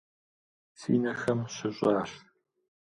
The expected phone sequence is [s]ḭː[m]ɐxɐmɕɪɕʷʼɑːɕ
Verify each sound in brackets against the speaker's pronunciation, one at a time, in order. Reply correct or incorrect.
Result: correct, incorrect: n

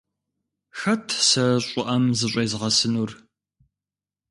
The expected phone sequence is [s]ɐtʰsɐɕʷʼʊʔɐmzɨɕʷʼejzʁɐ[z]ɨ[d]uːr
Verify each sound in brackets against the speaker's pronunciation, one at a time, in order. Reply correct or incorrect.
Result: incorrect: x, incorrect: s, incorrect: n

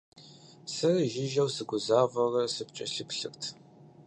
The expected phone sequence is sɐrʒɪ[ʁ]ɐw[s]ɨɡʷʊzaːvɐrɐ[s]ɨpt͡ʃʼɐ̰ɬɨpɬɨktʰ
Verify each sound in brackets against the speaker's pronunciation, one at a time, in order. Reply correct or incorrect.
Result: incorrect: ʒ, correct, correct

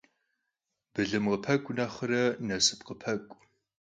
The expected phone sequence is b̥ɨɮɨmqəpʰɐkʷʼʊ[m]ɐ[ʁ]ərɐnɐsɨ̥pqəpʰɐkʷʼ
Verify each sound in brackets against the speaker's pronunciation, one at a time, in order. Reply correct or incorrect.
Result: incorrect: n, incorrect: χ

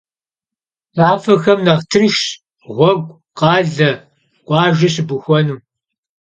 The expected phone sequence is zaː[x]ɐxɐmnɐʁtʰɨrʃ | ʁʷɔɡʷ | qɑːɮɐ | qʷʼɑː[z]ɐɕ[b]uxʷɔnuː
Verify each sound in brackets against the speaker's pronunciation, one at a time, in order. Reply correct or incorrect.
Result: incorrect: f, incorrect: ʒ, correct

